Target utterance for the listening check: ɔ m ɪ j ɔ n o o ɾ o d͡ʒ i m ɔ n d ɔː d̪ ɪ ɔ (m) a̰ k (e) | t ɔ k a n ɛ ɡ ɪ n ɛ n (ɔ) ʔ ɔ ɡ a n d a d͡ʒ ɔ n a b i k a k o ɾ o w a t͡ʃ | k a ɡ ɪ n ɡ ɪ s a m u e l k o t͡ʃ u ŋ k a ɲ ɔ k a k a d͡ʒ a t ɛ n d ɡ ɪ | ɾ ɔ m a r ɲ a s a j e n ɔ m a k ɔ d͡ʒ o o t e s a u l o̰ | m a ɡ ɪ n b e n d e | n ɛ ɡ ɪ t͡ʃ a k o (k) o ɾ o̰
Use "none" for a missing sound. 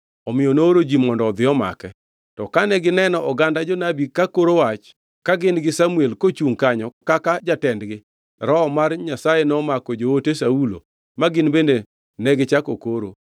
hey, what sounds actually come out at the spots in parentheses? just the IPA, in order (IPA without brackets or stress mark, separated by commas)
m, ɛ, ɔ, k